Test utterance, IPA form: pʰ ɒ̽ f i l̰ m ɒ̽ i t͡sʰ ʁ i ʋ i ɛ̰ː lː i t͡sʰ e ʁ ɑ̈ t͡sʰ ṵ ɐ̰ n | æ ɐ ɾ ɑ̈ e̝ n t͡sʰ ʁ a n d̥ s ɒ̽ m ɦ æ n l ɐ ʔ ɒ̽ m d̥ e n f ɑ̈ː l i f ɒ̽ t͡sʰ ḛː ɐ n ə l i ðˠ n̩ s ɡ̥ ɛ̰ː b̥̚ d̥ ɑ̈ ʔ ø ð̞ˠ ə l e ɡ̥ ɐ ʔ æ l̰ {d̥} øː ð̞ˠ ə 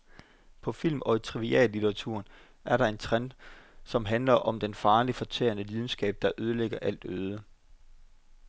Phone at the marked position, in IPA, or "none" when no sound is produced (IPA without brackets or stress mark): d̥